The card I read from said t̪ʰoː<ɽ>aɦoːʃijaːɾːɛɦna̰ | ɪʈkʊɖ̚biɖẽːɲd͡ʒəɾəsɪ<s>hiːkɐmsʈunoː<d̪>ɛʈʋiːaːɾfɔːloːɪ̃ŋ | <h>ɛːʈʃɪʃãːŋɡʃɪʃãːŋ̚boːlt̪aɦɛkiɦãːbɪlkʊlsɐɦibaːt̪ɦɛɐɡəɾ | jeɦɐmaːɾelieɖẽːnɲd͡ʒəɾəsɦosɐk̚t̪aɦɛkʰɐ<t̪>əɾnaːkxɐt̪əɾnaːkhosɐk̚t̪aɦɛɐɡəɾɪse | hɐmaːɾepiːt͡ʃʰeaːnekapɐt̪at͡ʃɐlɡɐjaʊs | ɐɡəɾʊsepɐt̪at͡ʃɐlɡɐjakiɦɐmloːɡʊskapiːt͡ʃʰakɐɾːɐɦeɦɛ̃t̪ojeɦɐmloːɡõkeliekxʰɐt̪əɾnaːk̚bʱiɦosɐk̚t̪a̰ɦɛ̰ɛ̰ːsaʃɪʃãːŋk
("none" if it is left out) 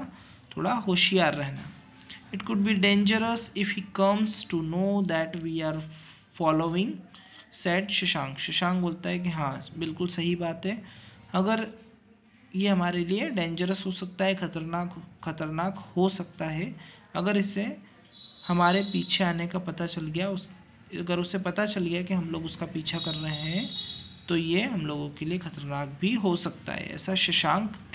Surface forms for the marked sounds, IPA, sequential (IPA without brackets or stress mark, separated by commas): ɽ, f, d̪, s, t̪